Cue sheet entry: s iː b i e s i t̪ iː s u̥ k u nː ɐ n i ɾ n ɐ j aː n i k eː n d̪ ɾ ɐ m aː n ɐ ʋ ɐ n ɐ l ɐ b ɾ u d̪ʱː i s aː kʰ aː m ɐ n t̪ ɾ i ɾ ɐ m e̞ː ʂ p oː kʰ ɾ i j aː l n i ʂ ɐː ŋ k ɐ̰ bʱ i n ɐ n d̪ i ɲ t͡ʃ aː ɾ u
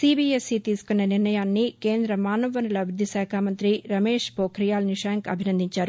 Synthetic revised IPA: s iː b i e s i t̪ iː s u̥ k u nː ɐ n i ɾ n ɐ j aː nː i k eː n d̪ ɾ ɐ m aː n ɐ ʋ ɐ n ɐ l ɐ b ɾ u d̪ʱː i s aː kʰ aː m ɐ n t̪ ɾ i ɾ ɐ m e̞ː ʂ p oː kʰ ɾ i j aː l n i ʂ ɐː ŋ k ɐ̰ bʱ i n ɐ n d̪ i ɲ t͡ʃ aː ɾ u